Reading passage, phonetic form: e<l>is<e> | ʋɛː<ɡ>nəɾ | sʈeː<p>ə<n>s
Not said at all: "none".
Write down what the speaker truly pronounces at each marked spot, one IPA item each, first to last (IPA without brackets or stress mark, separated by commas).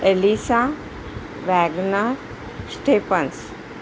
l, a, ɡ, p, n